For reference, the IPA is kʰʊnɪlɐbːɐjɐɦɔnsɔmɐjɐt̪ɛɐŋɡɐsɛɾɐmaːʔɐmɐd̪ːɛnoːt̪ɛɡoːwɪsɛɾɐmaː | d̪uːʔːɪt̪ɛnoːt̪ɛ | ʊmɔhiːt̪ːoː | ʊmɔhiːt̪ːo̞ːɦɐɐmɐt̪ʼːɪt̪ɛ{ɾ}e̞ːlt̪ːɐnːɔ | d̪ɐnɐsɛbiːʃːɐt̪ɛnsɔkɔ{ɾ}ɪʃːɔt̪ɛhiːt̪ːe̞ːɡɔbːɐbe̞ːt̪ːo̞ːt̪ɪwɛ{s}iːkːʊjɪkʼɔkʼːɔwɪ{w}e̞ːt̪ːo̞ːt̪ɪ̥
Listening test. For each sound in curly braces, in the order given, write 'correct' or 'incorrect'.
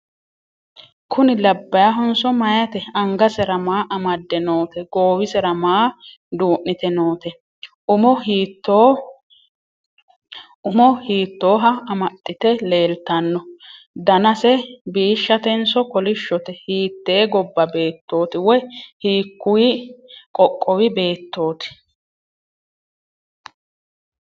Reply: incorrect, incorrect, incorrect, incorrect

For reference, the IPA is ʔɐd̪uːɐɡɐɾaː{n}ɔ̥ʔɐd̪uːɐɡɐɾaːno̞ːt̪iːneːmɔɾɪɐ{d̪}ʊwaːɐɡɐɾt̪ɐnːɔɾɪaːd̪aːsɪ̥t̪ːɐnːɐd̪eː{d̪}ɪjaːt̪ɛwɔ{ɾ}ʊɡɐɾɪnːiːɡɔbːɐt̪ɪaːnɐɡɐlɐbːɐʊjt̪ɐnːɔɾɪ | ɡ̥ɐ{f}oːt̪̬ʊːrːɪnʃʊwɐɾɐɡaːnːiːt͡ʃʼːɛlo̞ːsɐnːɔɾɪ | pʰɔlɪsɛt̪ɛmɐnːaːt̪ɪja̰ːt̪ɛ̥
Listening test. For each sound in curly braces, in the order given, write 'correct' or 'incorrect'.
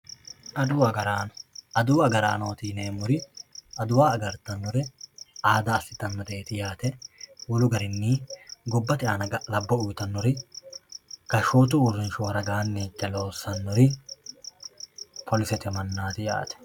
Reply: correct, correct, incorrect, incorrect, incorrect

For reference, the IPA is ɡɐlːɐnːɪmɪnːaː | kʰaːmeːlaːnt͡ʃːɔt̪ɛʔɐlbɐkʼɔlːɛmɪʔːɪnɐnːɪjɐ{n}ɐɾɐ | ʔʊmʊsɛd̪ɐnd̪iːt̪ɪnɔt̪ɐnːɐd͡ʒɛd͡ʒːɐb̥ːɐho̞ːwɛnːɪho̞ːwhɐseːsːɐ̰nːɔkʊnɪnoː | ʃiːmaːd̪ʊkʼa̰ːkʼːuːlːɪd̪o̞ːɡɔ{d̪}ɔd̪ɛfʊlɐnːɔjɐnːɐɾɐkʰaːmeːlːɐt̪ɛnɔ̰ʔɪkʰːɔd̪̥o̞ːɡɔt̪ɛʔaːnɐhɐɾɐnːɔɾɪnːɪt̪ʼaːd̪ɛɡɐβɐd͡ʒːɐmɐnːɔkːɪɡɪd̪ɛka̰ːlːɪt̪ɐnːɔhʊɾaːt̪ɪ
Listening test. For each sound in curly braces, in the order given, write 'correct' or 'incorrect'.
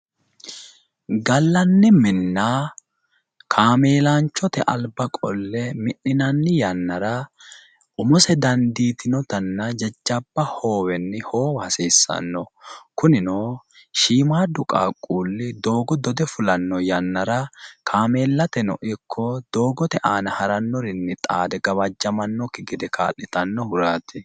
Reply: incorrect, correct

